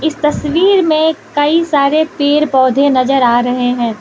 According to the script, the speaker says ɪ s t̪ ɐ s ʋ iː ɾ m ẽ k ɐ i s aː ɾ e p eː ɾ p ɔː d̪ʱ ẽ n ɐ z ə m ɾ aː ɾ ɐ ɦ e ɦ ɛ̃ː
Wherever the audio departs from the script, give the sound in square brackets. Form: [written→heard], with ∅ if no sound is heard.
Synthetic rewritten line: ɪ s t̪ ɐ s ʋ iː ɾ m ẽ k ɐ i s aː ɾ e p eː ɾ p ɔː d̪ʱ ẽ n ɐ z ə [m→∅] ɾ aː ɾ ɐ ɦ e ɦ ɛ̃ː

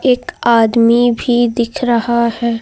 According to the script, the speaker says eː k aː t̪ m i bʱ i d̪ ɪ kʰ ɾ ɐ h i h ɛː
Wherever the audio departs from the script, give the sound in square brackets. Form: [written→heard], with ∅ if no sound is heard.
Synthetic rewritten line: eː k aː [t̪→d̪] m i bʱ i d̪ ɪ kʰ ɾ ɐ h [i→a] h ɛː

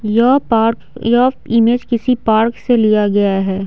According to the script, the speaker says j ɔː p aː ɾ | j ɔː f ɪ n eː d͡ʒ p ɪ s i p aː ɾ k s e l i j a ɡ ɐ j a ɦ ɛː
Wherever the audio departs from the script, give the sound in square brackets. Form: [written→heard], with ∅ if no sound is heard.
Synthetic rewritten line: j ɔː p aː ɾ | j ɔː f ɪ [n→m] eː d͡ʒ [p→k] ɪ s i p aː ɾ k s e l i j a ɡ ɐ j a ɦ ɛː

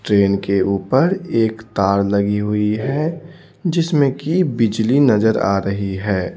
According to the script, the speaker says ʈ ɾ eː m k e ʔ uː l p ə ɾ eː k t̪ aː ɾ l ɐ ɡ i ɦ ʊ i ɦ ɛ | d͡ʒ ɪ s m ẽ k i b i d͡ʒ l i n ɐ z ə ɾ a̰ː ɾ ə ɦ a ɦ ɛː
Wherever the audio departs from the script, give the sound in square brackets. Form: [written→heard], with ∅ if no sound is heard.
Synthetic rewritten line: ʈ ɾ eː [m→n] k e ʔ uː [l→∅] p ə ɾ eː k t̪ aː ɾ l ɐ ɡ i ɦ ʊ i ɦ ɛ | d͡ʒ ɪ s m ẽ k i b [i→ɪ] d͡ʒ l i n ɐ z ə ɾ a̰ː ɾ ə ɦ [a→i] ɦ ɛː

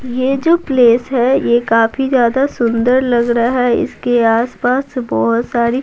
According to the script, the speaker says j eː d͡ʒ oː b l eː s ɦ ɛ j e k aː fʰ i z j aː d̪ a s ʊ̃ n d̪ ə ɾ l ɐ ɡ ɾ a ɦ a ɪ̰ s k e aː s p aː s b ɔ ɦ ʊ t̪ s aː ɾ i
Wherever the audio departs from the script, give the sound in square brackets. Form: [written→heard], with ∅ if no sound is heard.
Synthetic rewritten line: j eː d͡ʒ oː [b→p] l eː s ɦ ɛ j e k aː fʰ i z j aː d̪ a s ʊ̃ n d̪ ə ɾ l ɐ ɡ ɾ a ɦ [a→ɛ] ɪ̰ s k e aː s p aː s b ɔ ɦ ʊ t̪ s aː ɾ i

